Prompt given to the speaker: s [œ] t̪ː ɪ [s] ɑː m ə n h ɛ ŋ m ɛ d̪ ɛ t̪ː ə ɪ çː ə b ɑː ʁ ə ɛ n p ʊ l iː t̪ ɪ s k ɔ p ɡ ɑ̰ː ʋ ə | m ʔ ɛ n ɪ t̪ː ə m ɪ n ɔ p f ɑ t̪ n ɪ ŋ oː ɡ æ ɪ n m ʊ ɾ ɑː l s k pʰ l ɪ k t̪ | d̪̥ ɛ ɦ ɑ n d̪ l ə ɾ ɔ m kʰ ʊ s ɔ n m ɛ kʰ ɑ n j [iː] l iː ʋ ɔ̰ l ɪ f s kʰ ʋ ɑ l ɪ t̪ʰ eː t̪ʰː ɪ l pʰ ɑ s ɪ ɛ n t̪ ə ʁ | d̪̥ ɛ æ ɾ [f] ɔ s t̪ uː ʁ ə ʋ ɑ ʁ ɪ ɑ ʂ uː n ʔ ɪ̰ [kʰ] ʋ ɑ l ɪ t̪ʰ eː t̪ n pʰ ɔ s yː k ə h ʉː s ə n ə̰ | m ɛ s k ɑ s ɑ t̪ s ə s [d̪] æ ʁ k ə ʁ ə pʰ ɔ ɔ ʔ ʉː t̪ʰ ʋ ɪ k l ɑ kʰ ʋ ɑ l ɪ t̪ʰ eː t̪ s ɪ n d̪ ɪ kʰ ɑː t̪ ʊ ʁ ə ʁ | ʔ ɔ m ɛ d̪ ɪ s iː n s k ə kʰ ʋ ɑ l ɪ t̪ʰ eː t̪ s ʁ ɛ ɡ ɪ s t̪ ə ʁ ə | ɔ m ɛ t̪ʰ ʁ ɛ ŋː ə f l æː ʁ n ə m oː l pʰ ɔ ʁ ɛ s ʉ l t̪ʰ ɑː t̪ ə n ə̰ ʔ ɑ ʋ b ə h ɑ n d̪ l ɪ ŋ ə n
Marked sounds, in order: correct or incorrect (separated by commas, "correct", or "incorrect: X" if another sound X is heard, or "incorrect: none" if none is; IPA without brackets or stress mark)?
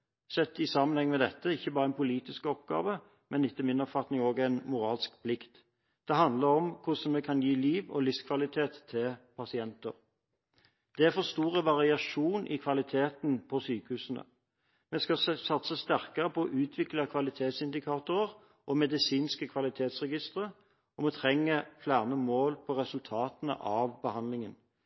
incorrect: ɛ, correct, correct, correct, correct, incorrect: t̪